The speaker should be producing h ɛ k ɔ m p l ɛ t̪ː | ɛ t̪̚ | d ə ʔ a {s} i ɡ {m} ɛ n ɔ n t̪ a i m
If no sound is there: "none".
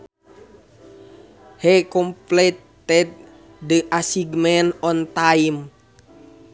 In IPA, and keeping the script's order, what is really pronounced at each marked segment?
s, m

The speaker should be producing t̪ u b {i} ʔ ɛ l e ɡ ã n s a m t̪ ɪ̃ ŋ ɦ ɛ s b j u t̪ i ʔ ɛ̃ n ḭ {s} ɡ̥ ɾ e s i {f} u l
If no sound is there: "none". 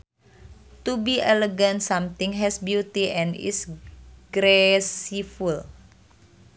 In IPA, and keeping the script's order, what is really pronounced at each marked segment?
i, s, f

